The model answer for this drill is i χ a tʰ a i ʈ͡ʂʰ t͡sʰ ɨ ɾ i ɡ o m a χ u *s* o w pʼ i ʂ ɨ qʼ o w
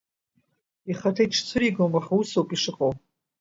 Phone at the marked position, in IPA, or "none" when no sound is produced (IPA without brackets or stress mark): s